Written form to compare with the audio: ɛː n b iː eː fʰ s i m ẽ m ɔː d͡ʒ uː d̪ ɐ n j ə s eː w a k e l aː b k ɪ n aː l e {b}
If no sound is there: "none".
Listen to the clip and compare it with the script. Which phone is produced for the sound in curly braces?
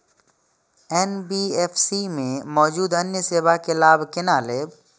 b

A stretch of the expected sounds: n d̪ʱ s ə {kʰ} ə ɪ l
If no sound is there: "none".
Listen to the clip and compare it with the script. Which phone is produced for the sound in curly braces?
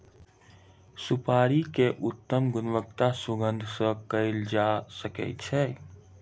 k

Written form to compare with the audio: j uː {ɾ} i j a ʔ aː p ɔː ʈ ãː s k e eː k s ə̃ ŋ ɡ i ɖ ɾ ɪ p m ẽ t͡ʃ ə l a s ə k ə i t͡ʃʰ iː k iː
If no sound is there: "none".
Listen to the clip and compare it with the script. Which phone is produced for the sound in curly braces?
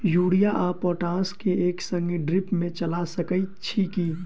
ɽ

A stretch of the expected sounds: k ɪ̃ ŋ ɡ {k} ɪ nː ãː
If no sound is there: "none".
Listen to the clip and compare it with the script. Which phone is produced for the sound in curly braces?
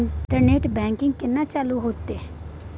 k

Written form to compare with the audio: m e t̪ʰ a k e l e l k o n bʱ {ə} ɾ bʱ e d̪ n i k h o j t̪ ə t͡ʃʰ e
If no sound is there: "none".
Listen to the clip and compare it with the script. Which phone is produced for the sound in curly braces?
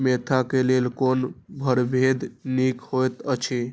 ə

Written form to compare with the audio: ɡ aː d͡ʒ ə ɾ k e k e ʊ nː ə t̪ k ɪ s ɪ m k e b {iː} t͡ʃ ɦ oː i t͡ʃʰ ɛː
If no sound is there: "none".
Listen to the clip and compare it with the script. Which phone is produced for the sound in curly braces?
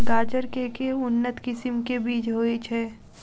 iː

